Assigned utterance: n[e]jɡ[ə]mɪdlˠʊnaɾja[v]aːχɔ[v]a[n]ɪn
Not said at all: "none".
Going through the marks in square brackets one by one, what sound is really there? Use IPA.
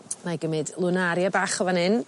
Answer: a, ə, b, v, n

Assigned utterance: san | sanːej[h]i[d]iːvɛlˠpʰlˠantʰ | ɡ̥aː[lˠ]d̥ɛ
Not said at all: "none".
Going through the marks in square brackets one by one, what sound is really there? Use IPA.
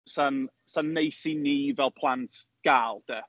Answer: s, n, lˠ

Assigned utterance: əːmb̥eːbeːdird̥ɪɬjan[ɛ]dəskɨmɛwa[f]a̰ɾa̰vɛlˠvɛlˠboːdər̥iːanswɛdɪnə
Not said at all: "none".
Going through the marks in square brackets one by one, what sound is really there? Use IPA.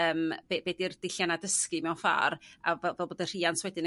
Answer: a, f

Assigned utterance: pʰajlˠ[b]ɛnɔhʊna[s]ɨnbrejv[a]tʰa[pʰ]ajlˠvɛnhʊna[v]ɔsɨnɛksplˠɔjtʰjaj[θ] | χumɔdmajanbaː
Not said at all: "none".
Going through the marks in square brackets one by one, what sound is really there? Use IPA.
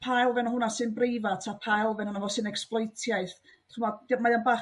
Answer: v, s, a, pʰ, v, θ

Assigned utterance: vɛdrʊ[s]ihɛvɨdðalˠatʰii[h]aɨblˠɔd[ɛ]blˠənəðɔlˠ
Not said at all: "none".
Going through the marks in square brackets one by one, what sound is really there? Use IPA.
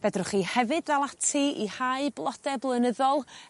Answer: χ, h, ɛ

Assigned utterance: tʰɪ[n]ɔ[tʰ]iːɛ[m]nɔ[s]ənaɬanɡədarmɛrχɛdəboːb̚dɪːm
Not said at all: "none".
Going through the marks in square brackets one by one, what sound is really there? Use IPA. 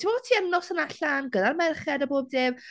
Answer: m, tʰ, m, s

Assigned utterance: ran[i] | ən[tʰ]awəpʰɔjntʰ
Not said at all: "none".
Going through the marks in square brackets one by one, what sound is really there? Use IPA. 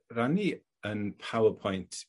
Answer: i, pʰ

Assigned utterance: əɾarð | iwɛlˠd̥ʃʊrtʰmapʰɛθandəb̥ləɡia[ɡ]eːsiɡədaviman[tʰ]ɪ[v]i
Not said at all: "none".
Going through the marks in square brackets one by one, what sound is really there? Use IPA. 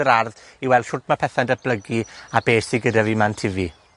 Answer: b, tʰ, v

